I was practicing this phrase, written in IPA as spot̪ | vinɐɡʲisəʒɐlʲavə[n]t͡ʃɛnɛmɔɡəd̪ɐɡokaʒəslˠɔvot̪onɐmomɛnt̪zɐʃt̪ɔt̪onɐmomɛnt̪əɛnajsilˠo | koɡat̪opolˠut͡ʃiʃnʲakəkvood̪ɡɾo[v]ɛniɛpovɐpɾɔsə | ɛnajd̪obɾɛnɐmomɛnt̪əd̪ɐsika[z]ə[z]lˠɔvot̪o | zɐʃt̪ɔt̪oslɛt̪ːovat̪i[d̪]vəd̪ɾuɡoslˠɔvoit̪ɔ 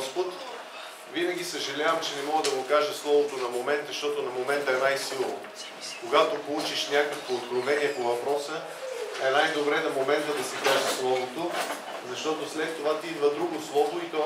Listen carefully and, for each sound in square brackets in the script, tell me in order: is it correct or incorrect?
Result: incorrect: m, correct, incorrect: ʒ, incorrect: s, correct

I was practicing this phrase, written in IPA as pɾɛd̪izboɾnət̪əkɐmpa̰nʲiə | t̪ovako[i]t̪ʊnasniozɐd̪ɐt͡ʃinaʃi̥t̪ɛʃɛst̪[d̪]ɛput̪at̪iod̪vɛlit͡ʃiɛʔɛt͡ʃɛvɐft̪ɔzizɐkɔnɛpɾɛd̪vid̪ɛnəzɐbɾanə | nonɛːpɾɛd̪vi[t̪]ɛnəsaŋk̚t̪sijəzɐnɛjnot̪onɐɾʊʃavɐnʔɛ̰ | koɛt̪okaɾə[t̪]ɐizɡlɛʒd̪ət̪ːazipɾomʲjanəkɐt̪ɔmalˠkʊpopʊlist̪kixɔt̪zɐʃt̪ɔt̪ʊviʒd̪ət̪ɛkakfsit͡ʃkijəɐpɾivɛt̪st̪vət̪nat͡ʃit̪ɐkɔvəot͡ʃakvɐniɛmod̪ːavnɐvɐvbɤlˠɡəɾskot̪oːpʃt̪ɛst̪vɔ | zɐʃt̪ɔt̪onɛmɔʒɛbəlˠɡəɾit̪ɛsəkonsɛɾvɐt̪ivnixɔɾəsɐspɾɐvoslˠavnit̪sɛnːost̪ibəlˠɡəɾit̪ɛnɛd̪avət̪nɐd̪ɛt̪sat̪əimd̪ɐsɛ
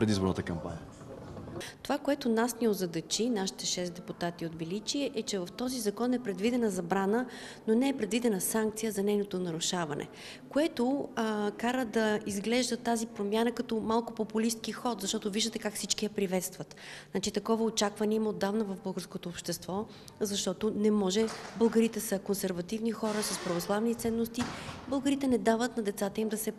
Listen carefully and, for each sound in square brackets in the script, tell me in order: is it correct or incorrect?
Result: incorrect: ɛ, correct, incorrect: d̪, incorrect: d̪

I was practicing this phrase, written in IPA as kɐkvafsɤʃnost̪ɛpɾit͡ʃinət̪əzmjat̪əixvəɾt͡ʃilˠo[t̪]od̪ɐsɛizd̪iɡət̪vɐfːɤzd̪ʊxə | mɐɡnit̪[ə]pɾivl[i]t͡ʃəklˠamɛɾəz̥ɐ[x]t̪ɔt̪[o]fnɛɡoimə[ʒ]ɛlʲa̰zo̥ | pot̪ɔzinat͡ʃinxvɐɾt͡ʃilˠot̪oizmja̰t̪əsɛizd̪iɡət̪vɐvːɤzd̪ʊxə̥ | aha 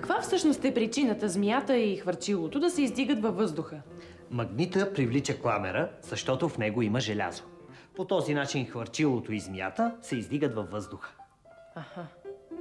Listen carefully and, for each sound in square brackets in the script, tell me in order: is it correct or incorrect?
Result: correct, correct, correct, incorrect: ʃ, correct, correct

